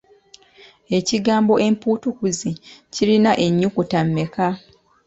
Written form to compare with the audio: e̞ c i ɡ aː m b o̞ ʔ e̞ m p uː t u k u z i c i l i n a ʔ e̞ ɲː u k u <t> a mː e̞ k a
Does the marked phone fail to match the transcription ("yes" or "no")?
no